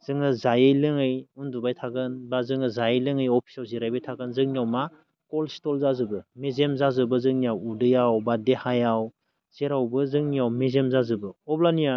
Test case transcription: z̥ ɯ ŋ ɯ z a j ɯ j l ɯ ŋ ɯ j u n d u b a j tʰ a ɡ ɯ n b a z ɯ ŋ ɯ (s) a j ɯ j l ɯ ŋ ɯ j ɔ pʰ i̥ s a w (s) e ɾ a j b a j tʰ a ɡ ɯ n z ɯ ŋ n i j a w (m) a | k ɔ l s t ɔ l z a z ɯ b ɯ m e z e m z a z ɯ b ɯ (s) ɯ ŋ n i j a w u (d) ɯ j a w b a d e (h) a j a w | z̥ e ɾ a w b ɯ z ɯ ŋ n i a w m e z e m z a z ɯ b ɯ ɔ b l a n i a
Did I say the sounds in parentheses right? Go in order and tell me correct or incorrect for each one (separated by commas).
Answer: incorrect, incorrect, correct, incorrect, correct, correct